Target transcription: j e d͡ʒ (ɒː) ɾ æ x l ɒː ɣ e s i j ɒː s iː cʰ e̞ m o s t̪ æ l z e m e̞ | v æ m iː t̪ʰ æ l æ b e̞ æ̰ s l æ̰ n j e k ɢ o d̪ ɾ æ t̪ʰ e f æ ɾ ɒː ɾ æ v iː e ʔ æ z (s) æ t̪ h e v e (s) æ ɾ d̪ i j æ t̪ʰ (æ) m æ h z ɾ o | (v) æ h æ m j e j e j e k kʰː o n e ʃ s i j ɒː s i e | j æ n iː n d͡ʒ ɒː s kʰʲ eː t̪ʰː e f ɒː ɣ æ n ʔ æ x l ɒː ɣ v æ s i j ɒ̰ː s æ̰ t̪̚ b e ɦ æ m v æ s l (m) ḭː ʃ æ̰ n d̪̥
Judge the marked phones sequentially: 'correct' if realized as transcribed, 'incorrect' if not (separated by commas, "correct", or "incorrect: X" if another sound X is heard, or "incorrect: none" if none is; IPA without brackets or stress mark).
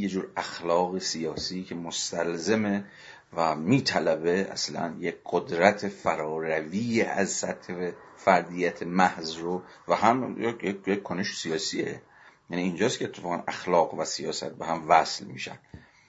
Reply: incorrect: uː, correct, incorrect: f, incorrect: e, correct, correct